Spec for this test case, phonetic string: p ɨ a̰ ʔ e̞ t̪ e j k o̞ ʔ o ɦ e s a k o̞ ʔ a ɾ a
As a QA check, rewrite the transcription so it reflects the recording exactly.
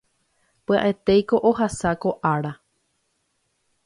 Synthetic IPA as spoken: p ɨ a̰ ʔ e̞ t̪ e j k o̞ ʔ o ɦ a s a k o̞ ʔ a ɾ a